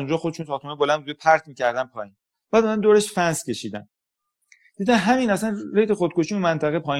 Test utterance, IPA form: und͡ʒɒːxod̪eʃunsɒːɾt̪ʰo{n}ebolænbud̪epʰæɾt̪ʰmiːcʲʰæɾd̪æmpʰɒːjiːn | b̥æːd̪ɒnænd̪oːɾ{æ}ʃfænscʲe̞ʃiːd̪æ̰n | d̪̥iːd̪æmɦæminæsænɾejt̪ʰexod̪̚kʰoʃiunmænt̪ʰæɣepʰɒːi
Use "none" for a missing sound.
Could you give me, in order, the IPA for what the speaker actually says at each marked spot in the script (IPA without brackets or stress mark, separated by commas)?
m, e